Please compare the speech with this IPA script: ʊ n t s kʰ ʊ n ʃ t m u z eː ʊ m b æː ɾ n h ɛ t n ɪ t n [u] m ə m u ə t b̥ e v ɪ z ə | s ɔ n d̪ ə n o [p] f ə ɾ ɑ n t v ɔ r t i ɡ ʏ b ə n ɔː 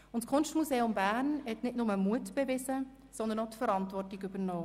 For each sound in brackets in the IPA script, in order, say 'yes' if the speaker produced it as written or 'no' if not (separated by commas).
no, no